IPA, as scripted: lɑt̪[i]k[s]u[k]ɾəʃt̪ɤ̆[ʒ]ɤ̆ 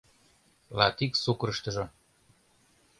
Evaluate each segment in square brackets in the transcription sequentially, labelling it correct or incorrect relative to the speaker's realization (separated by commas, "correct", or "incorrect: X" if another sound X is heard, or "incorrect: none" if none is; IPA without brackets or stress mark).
correct, correct, correct, correct